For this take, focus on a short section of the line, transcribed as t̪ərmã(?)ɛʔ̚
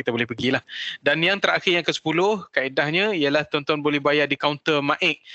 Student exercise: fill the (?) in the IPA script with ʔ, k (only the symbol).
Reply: ʔ